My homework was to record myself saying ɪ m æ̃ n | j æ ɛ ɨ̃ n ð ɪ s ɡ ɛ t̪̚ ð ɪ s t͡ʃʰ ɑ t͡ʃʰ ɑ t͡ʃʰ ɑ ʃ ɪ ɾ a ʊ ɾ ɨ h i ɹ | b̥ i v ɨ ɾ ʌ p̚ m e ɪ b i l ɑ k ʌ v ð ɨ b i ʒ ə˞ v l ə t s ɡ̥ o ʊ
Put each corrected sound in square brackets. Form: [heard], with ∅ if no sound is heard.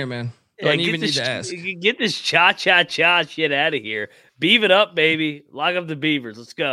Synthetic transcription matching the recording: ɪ m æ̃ n | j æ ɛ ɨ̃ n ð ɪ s ɡ ɛ t̪̚ ð ɪ s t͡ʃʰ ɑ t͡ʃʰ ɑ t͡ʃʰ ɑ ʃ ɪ ɾ a ʊ ɾ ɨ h i ɹ | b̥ i v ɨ ɾ ʌ p̚ m e ɪ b i l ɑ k ʌ v ð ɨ b i [v] ə˞ [z] l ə t s ɡ̥ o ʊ